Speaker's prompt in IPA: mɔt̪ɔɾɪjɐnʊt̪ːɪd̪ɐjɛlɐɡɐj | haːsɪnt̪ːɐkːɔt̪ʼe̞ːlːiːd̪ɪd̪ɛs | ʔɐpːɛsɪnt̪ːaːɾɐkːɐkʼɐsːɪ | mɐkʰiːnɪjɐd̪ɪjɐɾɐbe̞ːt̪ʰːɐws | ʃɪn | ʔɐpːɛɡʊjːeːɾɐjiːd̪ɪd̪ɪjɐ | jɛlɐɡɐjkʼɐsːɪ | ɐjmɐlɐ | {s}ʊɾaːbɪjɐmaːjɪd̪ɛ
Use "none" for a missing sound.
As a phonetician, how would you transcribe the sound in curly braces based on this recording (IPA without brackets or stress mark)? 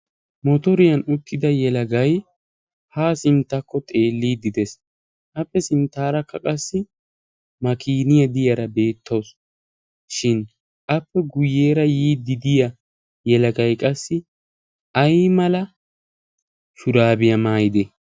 ʃ